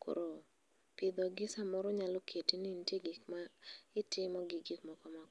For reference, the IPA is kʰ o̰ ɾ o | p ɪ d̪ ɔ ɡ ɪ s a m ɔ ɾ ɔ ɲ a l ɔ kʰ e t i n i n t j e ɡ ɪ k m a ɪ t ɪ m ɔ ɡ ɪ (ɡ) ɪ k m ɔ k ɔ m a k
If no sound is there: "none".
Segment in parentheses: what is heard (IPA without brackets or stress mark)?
ɡ